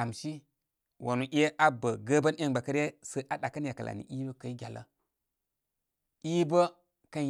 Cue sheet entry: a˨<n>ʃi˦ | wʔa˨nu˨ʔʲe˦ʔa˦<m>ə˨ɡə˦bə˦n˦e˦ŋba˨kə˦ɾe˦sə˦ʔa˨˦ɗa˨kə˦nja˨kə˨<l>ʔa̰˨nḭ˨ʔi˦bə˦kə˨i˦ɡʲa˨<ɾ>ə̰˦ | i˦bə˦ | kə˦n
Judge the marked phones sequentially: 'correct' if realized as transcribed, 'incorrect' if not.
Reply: incorrect: m, incorrect: b, correct, incorrect: l

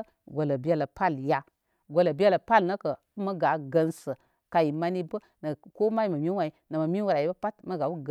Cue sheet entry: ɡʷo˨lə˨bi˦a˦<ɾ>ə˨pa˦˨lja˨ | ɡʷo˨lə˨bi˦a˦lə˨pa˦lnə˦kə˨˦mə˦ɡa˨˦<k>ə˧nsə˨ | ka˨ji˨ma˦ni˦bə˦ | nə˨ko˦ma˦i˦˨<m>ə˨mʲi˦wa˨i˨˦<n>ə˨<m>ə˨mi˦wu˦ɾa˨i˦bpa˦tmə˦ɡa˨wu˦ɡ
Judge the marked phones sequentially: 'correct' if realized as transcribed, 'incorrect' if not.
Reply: incorrect: l, incorrect: ɡ, correct, correct, correct

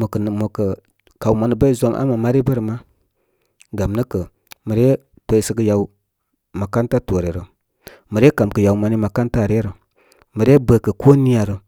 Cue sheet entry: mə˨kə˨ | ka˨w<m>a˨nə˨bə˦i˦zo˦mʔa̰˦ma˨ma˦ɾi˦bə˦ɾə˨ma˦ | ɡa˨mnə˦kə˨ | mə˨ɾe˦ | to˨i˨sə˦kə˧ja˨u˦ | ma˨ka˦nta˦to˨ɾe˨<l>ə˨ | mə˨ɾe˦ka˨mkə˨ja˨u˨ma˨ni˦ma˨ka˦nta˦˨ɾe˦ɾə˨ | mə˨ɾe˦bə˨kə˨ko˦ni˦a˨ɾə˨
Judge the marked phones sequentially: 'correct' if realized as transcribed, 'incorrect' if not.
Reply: correct, incorrect: ɾ

